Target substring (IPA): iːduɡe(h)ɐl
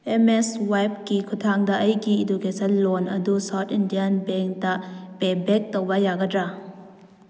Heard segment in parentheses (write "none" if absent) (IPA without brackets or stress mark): s